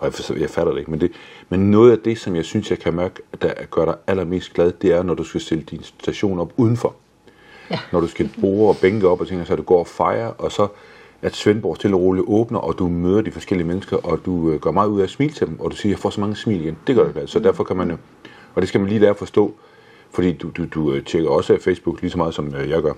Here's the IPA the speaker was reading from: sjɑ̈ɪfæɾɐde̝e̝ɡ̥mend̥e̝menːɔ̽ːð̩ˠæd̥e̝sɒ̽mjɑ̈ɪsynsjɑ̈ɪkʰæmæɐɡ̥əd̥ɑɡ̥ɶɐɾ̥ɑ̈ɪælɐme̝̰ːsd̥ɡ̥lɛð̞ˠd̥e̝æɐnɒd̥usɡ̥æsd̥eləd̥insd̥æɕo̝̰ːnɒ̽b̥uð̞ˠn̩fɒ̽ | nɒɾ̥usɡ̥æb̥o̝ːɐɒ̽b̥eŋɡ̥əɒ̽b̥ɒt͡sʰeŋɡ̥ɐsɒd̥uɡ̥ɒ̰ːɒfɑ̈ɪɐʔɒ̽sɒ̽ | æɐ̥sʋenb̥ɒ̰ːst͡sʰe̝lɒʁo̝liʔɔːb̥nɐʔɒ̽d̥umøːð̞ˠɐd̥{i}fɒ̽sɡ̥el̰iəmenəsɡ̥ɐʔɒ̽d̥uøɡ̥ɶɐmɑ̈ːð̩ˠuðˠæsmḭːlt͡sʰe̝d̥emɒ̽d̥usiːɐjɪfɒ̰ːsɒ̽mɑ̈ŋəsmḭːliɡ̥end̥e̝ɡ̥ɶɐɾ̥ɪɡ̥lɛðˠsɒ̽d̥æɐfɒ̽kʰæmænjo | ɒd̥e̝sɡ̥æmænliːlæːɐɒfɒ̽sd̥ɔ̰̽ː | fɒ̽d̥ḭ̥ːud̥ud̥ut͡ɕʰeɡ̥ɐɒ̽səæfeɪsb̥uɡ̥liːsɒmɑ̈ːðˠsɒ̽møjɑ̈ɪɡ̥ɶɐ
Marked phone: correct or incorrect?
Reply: correct